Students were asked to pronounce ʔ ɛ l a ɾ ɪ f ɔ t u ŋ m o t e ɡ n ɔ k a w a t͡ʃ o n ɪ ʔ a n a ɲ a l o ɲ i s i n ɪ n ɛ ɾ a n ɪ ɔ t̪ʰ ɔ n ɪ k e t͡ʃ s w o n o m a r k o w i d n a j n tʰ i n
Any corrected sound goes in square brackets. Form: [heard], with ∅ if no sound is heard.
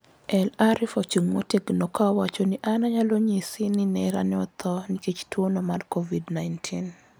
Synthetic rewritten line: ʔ ɛ l a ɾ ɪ f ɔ [t͡ʃ] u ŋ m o t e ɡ n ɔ k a w a t͡ʃ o n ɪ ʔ a n a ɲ a l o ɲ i s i n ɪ n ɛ ɾ a n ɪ ɔ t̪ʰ ɔ n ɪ k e t͡ʃ [t] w o n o m a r k o [v] i d n a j n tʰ i n